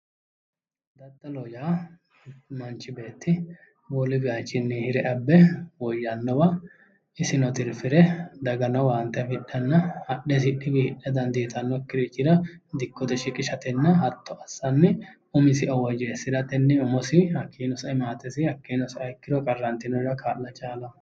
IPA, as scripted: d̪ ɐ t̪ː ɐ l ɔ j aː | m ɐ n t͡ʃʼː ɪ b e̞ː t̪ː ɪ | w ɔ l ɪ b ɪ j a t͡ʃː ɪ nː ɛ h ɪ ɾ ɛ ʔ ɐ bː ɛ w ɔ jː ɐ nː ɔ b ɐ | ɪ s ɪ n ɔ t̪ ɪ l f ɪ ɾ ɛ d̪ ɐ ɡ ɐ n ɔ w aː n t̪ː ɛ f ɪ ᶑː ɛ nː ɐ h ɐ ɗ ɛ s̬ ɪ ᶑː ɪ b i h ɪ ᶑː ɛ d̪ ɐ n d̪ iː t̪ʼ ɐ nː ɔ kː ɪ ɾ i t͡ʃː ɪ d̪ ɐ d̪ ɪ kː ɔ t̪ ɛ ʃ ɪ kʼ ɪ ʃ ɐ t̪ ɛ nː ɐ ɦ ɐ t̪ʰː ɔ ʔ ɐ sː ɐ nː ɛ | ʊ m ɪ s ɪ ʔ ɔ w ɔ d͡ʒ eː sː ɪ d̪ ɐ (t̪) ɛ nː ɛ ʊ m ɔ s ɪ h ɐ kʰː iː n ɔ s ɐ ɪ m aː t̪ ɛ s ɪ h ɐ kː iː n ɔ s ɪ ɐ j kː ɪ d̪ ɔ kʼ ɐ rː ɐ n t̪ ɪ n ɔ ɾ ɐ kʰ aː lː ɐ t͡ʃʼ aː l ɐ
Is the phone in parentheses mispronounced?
no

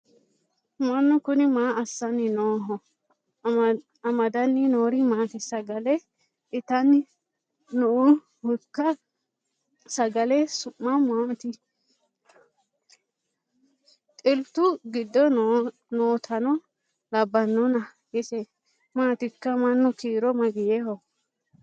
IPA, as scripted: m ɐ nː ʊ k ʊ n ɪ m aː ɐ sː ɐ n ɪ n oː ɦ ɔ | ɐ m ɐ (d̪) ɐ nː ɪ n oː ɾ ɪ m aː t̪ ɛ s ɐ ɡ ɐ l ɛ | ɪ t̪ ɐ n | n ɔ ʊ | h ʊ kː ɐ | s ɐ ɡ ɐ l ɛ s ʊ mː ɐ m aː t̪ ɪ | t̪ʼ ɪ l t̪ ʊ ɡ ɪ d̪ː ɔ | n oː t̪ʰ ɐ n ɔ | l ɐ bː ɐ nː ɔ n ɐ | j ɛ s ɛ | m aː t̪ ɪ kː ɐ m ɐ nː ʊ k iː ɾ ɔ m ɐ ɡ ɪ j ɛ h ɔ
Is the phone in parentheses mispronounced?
no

